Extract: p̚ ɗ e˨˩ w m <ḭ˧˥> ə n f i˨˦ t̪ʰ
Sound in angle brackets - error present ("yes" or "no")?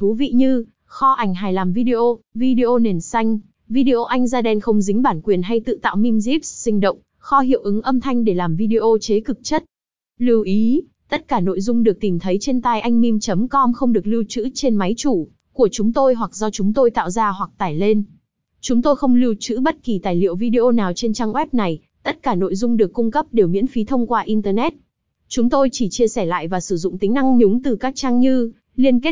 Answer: no